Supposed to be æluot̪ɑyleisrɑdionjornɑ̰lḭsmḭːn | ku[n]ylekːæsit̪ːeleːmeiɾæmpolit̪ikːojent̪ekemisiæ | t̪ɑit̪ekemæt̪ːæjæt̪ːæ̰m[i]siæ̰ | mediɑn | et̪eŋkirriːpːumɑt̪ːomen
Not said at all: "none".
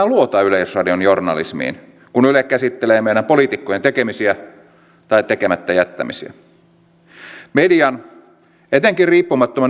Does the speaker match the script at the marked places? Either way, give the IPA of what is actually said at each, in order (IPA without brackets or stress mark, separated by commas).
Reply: n, i